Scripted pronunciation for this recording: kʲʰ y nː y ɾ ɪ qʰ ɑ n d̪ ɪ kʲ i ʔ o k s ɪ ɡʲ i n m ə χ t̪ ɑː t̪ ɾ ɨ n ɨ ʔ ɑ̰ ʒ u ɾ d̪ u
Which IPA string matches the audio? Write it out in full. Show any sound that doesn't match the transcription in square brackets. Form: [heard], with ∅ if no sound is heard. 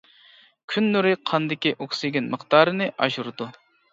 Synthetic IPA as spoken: kʲʰ y nː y ɾ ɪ qʰ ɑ n d̪ ɪ kʲ i ʔ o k s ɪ ɡʲ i n m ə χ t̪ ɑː [∅] ɾ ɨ n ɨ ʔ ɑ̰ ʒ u ɾ d̪ u